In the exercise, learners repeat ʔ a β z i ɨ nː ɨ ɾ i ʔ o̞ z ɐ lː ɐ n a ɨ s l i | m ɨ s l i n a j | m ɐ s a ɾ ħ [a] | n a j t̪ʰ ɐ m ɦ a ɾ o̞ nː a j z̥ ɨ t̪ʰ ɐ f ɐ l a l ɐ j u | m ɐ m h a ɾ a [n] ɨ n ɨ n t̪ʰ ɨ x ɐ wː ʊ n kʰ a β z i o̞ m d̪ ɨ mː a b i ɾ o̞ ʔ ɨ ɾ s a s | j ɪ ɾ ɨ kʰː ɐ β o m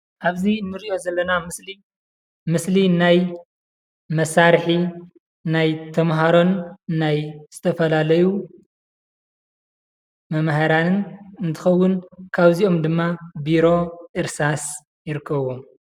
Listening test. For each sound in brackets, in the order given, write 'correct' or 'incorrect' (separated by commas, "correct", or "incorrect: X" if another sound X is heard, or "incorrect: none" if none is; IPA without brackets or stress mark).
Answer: incorrect: i, correct